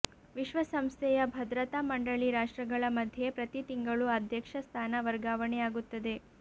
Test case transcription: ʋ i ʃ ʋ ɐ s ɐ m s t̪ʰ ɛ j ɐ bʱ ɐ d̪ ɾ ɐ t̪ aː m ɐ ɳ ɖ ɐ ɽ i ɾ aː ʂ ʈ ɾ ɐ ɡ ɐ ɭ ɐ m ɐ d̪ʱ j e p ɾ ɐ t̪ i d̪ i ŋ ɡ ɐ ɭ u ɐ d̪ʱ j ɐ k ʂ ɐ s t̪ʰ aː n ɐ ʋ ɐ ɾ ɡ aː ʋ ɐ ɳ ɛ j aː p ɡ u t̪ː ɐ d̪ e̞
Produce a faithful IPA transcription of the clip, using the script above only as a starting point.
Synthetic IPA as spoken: ʋ i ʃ ʋ ɐ s ɐ m s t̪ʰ ɛ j ɐ bʱ ɐ d̪ ɾ ɐ t̪ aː m ɐ ɳ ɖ ɐ ɭ i ɾ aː ʂ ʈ ɾ ɐ ɡ ɐ ɭ ɐ m ɐ d̪ʱ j e p ɾ ɐ t̪ i t̪ i ŋ ɡ ɐ ɭ u ɐ d̪ʱ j ɐ k ʂ ɐ s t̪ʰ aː n ɐ ʋ ɐ ɾ ɡ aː ʋ ɐ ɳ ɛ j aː ɡ u t̪ː ɐ d̪ e̞